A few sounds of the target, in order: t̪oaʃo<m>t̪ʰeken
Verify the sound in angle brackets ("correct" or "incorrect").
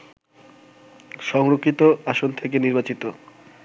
incorrect